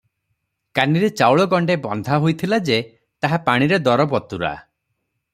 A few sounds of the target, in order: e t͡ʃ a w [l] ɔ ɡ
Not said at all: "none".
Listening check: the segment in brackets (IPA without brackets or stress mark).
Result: ɭ